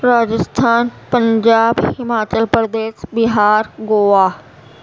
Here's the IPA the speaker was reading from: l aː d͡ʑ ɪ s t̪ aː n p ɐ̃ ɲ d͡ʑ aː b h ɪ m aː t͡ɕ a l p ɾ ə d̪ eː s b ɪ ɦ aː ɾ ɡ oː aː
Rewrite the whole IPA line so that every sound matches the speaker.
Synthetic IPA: ɾ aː d͡ʑ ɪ s t̪ʰ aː n p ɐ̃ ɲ d͡ʑ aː b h ɪ m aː t͡ɕ ə l p ɾ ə d̪ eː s b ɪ ɦ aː ɾ ɡ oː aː